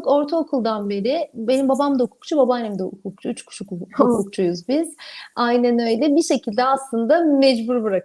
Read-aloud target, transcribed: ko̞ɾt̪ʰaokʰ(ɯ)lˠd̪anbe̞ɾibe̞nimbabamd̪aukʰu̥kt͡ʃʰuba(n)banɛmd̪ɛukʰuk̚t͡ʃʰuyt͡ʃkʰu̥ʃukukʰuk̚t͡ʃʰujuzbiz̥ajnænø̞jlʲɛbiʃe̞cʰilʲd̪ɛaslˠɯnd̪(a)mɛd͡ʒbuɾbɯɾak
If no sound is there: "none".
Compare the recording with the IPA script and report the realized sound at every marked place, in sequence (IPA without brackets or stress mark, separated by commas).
u, none, a